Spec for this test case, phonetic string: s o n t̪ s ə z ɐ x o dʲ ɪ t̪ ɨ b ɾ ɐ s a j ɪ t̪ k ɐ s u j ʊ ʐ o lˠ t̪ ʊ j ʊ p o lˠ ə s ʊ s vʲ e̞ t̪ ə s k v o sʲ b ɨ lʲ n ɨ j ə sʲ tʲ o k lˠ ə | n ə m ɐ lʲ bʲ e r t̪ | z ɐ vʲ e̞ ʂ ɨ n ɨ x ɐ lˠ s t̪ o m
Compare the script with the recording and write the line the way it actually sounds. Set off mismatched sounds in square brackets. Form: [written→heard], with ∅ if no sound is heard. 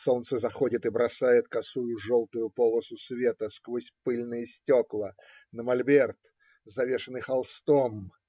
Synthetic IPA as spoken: s o n t̪ s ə z ɐ x o dʲ ɪ t̪ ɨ b ɾ ɐ s a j ɪ t̪ k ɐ s u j ʊ ʐ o lˠ t̪ ʊ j ʊ p o lˠ ə s ʊ s vʲ e̞ t̪ ə s k v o sʲ [b→p] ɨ lʲ n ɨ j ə sʲ tʲ o k lˠ ə | n ə m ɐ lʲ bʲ e r t̪ | z ɐ vʲ e̞ ʂ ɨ n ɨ x ɐ lˠ s t̪ o m